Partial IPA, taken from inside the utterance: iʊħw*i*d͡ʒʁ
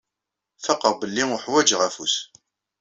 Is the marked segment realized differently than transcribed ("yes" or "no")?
yes